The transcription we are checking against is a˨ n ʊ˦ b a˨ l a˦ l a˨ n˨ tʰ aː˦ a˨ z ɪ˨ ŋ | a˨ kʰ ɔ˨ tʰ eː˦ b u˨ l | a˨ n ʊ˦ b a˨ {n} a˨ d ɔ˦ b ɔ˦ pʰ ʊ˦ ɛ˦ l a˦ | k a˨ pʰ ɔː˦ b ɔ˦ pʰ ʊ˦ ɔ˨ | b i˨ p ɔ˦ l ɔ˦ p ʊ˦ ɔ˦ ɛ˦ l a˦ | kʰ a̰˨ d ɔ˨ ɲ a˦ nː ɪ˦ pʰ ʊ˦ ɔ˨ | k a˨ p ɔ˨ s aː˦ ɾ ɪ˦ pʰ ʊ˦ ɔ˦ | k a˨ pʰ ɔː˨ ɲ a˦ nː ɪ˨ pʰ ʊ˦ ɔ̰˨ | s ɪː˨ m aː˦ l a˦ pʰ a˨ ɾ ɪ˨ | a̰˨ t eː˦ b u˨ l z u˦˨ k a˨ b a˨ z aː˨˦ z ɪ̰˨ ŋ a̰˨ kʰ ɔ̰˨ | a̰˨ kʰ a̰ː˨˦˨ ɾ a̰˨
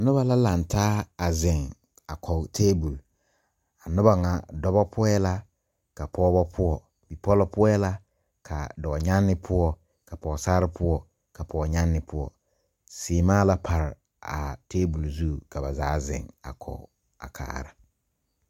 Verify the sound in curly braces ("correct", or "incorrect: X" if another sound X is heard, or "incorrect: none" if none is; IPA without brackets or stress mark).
incorrect: ŋ